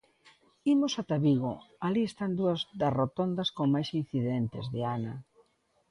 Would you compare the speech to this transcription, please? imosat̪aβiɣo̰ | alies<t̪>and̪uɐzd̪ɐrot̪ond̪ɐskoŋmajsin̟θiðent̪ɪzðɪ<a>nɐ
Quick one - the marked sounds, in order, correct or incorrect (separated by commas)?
correct, correct